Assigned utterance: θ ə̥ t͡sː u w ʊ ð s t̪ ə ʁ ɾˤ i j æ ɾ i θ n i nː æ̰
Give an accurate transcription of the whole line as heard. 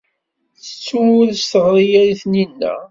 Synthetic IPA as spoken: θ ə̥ t͡sː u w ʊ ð s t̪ ə ʁ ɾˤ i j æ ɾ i θ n i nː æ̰